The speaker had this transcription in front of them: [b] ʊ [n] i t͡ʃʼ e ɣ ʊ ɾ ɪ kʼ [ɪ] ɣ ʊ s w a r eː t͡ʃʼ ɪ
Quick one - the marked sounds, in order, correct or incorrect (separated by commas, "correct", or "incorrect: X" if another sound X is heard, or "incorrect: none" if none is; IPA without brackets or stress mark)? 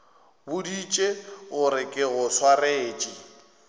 correct, incorrect: d, correct